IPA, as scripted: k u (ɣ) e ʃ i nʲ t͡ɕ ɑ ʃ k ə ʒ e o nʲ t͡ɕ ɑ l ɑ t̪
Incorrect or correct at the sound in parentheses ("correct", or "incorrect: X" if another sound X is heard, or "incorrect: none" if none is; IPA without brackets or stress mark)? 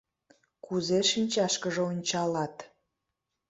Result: incorrect: z